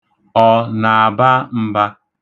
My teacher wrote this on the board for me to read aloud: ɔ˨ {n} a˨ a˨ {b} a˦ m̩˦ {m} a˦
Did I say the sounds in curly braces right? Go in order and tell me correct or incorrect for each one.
correct, correct, incorrect

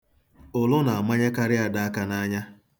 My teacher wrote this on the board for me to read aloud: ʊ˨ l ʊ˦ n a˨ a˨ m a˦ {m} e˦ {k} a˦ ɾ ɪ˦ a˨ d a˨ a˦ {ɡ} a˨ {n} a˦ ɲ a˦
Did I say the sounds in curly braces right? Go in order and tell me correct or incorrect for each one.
incorrect, correct, incorrect, correct

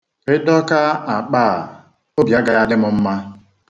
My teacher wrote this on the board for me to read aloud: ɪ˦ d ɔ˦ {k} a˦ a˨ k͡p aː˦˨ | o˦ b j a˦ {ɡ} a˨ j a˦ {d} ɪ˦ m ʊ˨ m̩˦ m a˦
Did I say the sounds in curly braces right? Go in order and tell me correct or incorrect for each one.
correct, correct, correct

